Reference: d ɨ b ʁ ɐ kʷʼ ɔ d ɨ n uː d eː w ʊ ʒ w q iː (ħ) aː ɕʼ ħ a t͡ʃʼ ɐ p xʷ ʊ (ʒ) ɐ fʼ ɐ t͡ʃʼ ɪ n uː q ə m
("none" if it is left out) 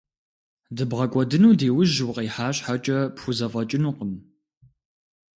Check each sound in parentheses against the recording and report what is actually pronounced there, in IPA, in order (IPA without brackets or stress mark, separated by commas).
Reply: ħ, z